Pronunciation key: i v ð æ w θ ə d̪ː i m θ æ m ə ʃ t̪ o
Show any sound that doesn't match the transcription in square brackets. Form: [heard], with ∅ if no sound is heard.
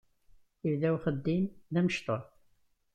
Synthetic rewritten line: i v ð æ w [χ] ə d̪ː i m [ð] æ m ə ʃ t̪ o

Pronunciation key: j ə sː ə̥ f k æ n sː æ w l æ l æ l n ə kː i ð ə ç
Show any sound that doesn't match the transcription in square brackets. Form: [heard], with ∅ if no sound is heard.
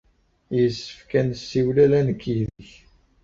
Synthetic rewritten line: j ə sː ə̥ f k æ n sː [i] w l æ l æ [∅] n ə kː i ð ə ç

